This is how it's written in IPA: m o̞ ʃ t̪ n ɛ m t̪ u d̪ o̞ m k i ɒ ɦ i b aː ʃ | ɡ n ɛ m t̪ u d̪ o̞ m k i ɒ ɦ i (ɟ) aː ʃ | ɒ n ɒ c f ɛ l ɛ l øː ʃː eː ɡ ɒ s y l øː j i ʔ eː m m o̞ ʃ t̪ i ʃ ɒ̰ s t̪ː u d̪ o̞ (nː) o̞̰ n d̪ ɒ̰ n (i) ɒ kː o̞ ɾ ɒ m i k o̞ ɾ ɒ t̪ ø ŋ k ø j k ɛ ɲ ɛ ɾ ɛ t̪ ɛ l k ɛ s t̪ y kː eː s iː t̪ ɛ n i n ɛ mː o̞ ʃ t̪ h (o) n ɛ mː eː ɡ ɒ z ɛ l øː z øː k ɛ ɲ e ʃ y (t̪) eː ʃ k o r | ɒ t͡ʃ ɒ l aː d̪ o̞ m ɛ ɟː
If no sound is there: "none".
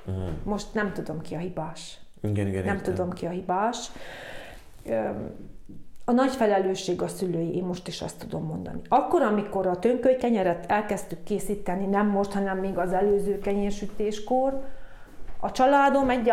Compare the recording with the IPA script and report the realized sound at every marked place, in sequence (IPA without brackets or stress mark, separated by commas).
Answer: b, mː, i, ɒ, t̪